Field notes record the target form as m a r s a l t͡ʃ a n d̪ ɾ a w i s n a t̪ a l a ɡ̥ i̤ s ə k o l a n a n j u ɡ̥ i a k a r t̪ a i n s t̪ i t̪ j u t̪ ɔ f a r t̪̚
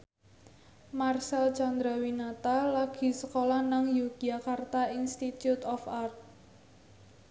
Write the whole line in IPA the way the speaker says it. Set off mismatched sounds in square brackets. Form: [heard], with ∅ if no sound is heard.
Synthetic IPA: m a r s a l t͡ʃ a n d̪ ɾ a w i [∅] n a t̪ a l a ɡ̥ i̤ s ə k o l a n a [ŋ] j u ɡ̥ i a k a r t̪ a i n s t̪ i t̪ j u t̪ ɔ f a r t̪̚

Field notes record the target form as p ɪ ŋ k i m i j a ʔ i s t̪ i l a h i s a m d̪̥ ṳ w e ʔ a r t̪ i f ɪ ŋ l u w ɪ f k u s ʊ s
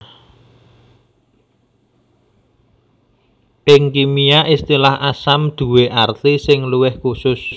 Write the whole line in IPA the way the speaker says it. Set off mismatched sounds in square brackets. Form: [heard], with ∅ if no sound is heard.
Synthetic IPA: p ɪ ŋ k i m i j a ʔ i s t̪ i l a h [a] s a m d̪̥ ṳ w e ʔ a r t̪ i [s] ɪ ŋ l u w ɪ [h] k u s ʊ s

